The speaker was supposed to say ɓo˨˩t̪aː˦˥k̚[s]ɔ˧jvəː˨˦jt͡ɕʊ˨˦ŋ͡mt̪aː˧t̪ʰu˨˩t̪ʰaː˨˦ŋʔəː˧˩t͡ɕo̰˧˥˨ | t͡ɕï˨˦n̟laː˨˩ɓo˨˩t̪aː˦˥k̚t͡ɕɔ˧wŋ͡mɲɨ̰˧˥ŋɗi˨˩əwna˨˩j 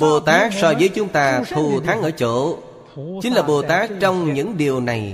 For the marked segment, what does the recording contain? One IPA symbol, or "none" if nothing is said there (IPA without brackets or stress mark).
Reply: s